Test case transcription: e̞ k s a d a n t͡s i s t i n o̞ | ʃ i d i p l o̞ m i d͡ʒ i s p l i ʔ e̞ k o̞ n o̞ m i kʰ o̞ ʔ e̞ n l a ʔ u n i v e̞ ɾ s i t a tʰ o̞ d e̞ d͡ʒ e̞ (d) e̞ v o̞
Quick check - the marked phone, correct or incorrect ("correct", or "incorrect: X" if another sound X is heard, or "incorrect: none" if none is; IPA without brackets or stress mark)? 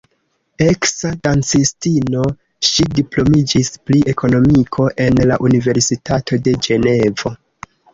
incorrect: n